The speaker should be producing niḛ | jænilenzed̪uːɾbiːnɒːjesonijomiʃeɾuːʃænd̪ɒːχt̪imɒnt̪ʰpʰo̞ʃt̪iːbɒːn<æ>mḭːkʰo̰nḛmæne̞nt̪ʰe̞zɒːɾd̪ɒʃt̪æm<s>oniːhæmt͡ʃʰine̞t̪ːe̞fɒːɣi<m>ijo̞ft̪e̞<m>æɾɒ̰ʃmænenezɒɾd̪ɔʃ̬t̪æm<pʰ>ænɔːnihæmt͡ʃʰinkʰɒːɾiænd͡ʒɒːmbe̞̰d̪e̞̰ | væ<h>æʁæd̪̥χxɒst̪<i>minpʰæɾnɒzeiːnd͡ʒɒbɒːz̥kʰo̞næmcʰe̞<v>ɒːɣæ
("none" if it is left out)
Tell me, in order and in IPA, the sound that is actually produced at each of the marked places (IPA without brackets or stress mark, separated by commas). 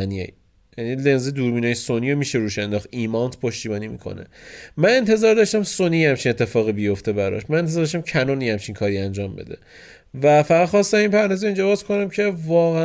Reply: i, s, b, b, cʰ, f, æ, v